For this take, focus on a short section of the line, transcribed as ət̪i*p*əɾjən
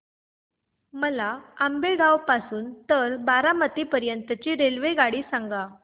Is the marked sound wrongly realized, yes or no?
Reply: no